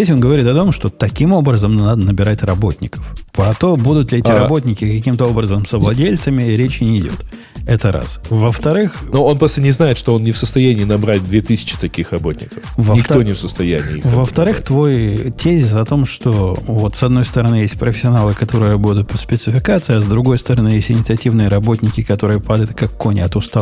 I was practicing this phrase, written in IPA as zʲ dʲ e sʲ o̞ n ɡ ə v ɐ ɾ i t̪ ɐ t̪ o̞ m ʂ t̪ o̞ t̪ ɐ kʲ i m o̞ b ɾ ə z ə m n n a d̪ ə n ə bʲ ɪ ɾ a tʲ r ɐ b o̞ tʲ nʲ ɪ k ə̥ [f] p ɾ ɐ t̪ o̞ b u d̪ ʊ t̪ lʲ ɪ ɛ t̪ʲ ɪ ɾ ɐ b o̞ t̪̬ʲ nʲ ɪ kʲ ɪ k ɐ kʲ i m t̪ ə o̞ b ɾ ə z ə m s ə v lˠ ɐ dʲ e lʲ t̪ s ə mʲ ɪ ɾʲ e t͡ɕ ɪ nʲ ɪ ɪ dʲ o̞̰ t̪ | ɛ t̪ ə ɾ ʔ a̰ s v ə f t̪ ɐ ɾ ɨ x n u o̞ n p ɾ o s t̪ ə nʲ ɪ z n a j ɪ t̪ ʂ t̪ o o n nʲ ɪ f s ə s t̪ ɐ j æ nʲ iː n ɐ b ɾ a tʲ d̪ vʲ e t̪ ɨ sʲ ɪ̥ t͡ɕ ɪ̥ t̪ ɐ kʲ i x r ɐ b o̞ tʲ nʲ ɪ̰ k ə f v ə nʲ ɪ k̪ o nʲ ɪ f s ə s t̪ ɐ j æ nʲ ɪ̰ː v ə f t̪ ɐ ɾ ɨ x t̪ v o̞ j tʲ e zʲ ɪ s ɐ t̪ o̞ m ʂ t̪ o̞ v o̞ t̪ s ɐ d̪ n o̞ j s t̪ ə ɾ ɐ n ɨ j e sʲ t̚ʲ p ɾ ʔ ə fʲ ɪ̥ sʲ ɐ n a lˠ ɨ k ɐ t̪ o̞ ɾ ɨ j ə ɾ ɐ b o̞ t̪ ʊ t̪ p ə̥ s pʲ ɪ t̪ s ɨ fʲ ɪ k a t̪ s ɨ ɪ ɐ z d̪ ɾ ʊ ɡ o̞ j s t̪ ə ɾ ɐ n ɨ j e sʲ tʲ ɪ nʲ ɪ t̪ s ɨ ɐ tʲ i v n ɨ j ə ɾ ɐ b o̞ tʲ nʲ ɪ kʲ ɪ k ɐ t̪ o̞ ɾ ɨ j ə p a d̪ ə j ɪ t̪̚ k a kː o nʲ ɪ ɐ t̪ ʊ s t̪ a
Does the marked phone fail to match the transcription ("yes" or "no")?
no